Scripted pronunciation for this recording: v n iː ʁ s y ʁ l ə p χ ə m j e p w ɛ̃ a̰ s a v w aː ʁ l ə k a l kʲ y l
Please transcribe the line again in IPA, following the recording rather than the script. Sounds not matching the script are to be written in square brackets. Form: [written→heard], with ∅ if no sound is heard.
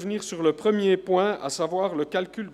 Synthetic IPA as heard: v n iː ʁ s y ʁ l ə p χ ə m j e p w ɛ̃ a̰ s a v w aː ʁ l ə k a l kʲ y l